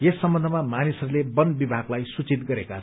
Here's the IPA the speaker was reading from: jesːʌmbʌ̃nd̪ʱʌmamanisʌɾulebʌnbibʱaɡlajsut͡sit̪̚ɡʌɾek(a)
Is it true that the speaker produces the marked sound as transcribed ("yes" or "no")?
yes